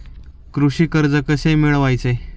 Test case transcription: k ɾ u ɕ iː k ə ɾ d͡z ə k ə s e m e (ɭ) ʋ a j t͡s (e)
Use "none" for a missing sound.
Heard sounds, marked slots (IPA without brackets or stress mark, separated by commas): ɭ, e